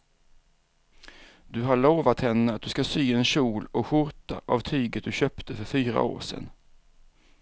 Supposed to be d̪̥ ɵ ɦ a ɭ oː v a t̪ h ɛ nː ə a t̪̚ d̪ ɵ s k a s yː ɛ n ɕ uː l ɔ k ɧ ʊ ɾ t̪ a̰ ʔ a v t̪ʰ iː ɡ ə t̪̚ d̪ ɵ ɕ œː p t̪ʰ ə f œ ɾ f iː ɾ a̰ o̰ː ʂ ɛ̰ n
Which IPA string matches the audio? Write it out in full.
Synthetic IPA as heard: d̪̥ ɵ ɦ a ɭ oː v a t̪ h ɛ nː ə a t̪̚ d̪ ɵ s k a s yː ɛ n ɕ uː l ɔ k ɧ ʊ ɾ t̪ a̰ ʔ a v t̪ʰ yː ɡ ə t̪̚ d̪ ɵ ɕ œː p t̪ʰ ə f œ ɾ f yː ɾ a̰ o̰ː ʂ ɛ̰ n